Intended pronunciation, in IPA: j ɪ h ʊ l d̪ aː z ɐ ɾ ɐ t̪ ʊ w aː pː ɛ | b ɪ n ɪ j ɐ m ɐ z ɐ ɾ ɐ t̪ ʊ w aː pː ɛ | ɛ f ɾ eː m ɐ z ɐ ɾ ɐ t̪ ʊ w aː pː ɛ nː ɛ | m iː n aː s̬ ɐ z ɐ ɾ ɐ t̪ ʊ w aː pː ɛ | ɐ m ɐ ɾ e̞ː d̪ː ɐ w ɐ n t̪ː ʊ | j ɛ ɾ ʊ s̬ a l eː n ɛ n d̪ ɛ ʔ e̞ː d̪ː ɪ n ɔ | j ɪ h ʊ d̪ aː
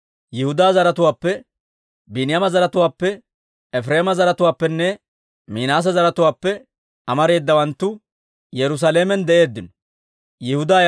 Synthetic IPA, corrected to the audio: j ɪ h ʊ d̪ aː z ɐ ɾ ɐ t̪ ʊ w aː pː ɛ | b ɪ n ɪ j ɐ m ɐ z ɐ ɾ ɐ t̪ ʊ w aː pː ɛ | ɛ f ɾ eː m ɐ z ɐ ɾ ɐ t̪ ʊ w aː pː ɛ nː ɛ | m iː n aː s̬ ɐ z ɐ ɾ ɐ t̪ ʊ w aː pː ɛ | ɐ m ɐ ɾ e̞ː d̪ː ɐ w ɐ n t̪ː ʊ | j ɛ ɾ ʊ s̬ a l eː m ɛ n d̪ ɛ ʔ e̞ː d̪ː ɪ n ɔ | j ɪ h ʊ d̪ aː